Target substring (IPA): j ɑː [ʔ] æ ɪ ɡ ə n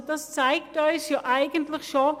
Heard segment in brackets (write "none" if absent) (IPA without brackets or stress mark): ʔ